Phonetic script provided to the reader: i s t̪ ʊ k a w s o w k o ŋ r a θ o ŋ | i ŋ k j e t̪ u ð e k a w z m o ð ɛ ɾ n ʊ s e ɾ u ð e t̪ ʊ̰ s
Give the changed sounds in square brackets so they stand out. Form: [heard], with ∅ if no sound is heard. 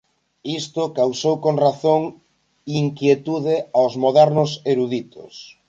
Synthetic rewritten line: i s t̪ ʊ k a w s o w k o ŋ r a θ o ŋ | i ŋ k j e t̪ u ð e [∅] a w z m o ð ɛ ɾ n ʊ s e ɾ u ð [i] t̪ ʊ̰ s